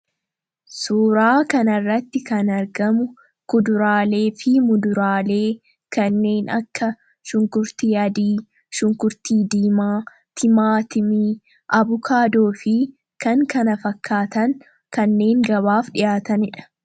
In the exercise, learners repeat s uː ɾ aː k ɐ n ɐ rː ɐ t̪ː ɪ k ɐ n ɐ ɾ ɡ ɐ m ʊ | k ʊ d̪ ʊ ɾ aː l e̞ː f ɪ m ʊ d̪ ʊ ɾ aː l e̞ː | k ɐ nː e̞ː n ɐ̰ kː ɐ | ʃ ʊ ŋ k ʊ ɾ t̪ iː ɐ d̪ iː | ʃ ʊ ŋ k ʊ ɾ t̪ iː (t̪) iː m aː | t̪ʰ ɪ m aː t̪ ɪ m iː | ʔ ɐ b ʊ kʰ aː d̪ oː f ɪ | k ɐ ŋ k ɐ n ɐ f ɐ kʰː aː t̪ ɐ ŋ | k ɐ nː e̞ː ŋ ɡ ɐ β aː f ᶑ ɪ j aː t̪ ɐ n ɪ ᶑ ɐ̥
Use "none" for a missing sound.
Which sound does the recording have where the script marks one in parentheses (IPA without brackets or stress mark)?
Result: d̪